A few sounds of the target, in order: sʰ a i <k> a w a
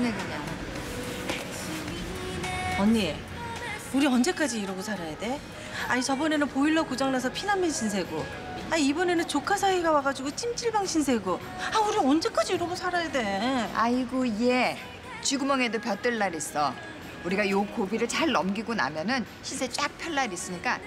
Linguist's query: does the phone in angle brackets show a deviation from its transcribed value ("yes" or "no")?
yes